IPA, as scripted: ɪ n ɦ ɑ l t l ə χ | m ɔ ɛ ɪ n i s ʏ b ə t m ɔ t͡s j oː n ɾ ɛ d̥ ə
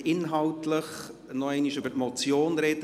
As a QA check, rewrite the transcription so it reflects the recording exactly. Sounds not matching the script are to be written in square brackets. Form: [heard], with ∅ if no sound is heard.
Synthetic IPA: ɪ n ɦ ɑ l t l ə χ | [n] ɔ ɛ ɪ n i [ʃ] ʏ b ə t m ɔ t͡s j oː n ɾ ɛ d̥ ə